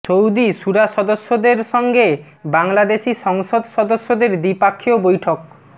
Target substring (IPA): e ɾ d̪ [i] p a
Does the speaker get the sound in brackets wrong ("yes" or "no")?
no